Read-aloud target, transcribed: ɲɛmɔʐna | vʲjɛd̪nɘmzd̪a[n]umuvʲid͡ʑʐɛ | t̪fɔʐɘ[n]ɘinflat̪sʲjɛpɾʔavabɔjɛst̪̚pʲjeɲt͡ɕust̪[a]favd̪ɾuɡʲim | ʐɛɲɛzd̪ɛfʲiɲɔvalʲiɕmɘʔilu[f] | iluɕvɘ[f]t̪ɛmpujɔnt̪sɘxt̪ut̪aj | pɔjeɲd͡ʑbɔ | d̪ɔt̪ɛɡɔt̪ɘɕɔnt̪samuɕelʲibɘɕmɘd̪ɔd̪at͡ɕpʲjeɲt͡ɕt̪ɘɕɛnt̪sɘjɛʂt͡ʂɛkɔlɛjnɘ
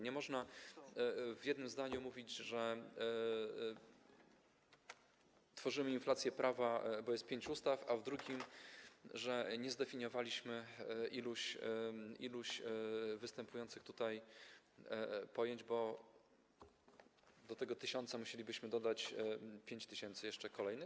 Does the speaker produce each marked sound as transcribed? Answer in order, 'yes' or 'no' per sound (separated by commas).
no, no, yes, no, no